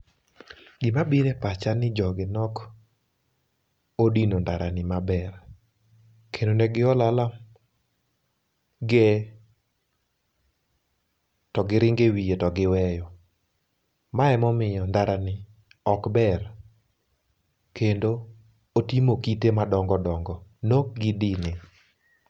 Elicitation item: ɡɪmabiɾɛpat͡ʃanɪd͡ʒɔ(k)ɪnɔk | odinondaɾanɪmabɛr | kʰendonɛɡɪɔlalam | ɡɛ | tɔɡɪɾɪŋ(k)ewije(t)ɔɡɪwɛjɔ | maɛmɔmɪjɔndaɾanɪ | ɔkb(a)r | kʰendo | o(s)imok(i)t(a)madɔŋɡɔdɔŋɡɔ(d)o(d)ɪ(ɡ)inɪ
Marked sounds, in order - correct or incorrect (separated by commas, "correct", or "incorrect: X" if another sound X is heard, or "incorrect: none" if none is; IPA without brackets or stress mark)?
incorrect: ɡ, incorrect: ɡ, correct, incorrect: ɛ, incorrect: t, correct, incorrect: e, incorrect: n, incorrect: ɡ, incorrect: d